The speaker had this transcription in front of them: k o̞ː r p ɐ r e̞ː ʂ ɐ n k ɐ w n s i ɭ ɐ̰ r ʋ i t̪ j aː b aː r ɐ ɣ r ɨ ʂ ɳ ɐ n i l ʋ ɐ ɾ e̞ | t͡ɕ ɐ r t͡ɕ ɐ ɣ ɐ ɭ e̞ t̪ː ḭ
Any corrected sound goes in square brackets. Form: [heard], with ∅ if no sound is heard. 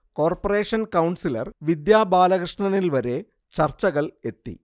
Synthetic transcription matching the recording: k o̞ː r p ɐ r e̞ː ʂ ɐ n k ɐ w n s i [l] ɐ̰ r ʋ i [d̪] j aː b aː [l] ɐ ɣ r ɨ ʂ ɳ ɐ n i l ʋ ɐ ɾ e̞ | t͡ɕ ɐ r t͡ɕ ɐ ɣ ɐ ɭ e̞ t̪ː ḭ